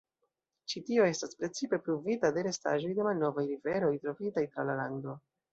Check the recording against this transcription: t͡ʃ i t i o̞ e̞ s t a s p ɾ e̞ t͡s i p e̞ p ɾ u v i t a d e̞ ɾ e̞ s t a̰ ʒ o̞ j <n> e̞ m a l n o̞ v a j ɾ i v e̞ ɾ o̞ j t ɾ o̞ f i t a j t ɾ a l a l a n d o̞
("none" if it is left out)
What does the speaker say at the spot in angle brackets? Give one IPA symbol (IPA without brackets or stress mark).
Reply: d